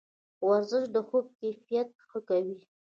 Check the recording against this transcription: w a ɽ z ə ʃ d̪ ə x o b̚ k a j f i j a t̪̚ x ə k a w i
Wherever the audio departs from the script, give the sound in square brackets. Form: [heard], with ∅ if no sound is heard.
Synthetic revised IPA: w a [ɾ] z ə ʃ d̪ ə x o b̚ k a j f i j a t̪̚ x ə k a w i